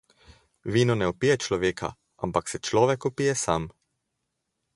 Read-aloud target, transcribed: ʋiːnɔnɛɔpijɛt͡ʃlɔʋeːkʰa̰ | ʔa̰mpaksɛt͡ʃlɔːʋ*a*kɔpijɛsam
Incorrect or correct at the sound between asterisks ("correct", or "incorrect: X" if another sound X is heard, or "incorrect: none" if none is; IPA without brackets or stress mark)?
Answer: incorrect: ɛ